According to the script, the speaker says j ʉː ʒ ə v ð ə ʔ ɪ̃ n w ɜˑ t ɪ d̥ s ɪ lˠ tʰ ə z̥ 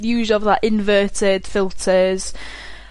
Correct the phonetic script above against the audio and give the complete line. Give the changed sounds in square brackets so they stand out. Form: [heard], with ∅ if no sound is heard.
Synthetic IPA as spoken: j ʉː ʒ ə v ð ə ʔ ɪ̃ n [v] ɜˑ t ɪ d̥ [f] ɪ lˠ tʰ ə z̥

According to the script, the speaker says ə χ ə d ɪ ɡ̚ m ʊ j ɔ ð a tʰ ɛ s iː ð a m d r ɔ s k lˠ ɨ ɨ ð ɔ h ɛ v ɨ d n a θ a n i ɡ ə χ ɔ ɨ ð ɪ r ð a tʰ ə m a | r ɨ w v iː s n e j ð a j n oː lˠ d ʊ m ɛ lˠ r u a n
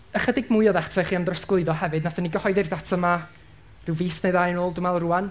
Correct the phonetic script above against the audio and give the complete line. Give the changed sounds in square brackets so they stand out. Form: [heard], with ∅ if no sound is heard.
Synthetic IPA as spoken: ə χ ə d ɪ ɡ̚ m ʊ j ɔ ð a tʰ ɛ [χ] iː [∅] a m d r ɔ s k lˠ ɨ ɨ ð ɔ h ɛ v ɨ d n a θ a n i ɡ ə [h] ɔ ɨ ð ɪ r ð a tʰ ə m a | r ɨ w v iː s n e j ð a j n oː lˠ d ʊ m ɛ lˠ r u a n

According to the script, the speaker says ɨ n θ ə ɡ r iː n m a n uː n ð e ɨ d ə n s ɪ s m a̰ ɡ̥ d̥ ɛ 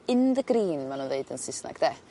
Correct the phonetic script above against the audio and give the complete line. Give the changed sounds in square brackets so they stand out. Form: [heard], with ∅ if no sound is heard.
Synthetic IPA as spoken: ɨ n [ð] ə ɡ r iː n m a n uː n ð e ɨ d ə n s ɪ s [n] a̰ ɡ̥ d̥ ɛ

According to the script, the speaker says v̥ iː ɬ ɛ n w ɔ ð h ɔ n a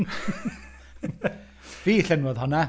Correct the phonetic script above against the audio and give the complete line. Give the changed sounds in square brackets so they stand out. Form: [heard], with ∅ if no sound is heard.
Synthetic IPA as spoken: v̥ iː ɬ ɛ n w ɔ ð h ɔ n a

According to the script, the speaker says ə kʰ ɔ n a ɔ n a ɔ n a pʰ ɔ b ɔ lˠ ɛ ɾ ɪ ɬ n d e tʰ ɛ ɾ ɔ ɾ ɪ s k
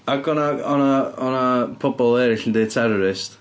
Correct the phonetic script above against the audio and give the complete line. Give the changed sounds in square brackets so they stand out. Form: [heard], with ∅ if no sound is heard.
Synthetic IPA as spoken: [a] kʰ ɔ n a ɔ n a ɔ n a pʰ ɔ b ɔ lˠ ɛ ɾ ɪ ɬ n d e tʰ ɛ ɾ ɔ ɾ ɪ s [t]

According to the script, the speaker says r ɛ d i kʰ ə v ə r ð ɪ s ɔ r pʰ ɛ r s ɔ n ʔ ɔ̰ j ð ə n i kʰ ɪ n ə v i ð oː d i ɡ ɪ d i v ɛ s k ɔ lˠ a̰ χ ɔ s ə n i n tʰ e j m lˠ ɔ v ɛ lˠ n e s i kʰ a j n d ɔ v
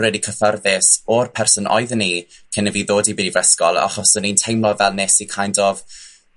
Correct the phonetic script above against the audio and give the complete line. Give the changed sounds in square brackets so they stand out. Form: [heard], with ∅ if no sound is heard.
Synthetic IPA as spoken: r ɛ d i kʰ ə [f] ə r ð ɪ s ɔ r pʰ ɛ r s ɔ n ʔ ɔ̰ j ð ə n i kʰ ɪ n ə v i ð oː d i [b] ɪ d i v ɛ s k ɔ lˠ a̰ χ ɔ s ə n i n tʰ e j m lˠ ɔ v ɛ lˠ n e s i kʰ a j n d ɔ v

